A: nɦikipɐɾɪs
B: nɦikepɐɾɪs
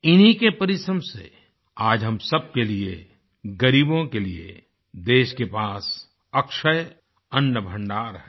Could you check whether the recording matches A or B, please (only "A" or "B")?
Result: B